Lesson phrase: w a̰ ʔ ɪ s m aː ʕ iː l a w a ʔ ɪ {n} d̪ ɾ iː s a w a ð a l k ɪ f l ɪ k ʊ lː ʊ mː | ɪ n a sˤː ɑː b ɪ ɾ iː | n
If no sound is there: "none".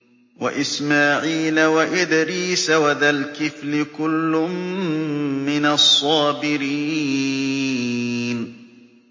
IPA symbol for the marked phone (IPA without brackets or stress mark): none